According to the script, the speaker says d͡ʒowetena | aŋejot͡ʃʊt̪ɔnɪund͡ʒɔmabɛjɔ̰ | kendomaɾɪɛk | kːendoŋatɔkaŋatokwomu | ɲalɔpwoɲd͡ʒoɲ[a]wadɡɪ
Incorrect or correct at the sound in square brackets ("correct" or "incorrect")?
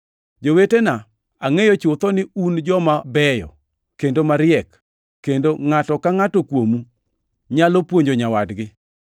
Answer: correct